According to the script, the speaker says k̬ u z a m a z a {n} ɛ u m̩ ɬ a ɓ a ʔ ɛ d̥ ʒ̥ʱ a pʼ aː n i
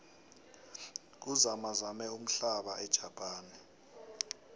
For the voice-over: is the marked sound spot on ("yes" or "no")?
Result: no